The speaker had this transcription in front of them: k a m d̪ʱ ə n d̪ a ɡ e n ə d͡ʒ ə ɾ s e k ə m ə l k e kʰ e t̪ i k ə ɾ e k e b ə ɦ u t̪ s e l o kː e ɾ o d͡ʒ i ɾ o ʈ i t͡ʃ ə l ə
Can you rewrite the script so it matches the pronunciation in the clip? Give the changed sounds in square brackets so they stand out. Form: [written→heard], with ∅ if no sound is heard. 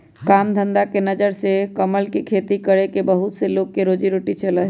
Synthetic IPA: k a m d̪ʱ ə n d̪ a [ɡ→k] e n ə d͡ʒ ə ɾ s e k ə m ə l k e kʰ e t̪ i k ə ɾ e k e b ə ɦ u t̪ s e l o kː e ɾ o d͡ʒ i ɾ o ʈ i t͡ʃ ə l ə